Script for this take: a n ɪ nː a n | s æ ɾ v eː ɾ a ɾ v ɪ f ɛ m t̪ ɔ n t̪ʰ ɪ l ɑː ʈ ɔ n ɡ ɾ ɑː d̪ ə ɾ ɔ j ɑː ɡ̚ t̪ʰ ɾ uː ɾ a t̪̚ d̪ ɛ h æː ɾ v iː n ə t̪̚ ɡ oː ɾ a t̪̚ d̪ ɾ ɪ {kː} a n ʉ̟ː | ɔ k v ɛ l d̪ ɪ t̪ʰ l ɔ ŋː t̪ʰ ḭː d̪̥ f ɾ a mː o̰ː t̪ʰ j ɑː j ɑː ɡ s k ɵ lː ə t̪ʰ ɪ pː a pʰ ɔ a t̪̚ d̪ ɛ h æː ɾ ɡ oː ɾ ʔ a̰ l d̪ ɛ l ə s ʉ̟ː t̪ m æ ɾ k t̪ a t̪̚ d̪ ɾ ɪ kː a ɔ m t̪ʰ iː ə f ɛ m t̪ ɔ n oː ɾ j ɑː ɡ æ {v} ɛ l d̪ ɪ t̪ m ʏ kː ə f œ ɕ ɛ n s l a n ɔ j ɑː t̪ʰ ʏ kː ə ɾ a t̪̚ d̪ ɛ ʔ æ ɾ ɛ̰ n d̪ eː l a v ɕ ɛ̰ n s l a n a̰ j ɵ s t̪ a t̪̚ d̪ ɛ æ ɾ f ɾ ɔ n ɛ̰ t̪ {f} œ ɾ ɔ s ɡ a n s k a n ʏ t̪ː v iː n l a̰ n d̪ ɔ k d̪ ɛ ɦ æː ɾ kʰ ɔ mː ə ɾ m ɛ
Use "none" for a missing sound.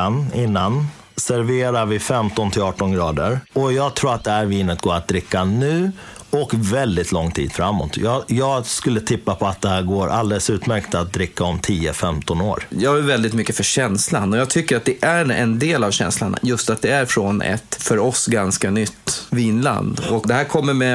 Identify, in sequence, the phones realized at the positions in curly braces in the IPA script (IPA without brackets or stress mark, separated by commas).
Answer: kː, v, f